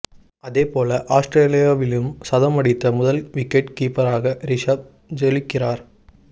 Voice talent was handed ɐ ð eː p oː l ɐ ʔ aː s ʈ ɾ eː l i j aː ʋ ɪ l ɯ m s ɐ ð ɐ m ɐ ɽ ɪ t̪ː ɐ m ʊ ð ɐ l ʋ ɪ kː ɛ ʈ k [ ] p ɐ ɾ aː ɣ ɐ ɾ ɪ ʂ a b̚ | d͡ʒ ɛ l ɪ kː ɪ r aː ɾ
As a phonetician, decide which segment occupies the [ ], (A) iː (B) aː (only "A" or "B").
A